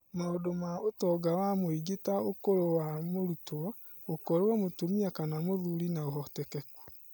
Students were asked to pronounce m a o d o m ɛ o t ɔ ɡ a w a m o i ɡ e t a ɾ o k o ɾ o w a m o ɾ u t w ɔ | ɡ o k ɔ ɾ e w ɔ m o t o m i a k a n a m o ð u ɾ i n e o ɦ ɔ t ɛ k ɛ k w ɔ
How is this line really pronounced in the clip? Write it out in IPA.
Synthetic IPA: m a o d o m a o t ɔ ɡ a w a m o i ɡ e t a o k o ɾ o w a m o ɾ u t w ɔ | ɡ o k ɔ ɾ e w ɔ m o t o m i a k a n a m o ð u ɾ i n a o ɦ ɔ t ɛ k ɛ k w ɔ